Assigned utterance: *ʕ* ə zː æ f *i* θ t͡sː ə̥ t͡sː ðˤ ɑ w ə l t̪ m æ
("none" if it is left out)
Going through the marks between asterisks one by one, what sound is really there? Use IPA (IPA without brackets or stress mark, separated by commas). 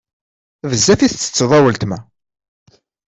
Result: v, i